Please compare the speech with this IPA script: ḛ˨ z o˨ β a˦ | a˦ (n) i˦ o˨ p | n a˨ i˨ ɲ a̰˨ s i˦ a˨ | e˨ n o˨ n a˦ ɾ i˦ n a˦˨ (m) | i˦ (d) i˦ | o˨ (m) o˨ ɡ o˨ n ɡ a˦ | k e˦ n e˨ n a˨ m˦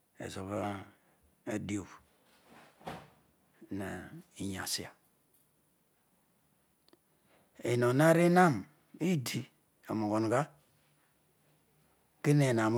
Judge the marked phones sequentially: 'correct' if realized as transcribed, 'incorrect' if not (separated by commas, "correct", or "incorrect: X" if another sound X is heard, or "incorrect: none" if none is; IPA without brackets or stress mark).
incorrect: d, correct, correct, correct